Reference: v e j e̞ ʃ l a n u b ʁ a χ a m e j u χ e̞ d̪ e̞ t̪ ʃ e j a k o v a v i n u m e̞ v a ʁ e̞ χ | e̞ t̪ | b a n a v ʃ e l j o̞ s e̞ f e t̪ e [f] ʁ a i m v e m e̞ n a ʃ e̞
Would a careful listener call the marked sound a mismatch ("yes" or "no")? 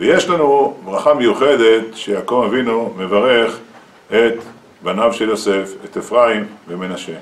no